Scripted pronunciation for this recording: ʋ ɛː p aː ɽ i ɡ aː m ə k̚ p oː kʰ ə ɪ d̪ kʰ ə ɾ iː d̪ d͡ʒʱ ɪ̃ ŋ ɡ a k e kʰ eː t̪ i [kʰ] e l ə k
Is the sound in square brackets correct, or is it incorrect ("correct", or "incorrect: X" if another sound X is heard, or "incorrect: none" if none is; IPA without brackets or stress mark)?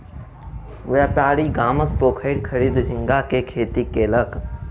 incorrect: k